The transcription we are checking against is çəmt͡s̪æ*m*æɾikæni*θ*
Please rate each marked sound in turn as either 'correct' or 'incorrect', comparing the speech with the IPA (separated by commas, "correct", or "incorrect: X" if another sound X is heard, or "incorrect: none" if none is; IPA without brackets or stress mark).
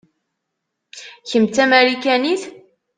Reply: correct, correct